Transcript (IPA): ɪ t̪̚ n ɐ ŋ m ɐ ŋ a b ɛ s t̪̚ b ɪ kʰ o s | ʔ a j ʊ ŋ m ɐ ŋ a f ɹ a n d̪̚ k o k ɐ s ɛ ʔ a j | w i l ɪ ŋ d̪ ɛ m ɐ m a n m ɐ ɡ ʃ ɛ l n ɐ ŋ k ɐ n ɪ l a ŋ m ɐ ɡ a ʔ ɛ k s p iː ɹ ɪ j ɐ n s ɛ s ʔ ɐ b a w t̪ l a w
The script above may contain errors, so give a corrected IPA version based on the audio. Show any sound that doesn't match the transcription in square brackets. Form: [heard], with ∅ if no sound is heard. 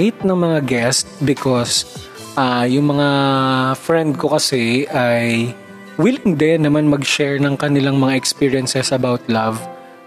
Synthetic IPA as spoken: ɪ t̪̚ n ɐ ŋ m ɐ ŋ a [ɡ] ɛ s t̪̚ b ɪ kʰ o s | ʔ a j ʊ ŋ m ɐ ŋ a f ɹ [ɛ] n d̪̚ k o k ɐ s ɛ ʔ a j | w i l ɪ ŋ d̪ ɛ [n] ɐ m a n m ɐ ɡ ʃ ɛ [ɹ] n ɐ ŋ k ɐ n ɪ l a ŋ m ɐ [ŋ] a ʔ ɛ k s p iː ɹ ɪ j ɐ n s ɛ s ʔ ɐ b a w t̪ l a [v]